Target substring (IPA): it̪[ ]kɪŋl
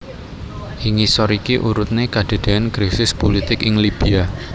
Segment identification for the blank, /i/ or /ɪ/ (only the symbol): ɪ